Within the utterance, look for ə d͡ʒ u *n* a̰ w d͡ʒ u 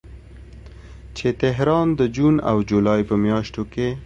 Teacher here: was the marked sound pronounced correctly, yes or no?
yes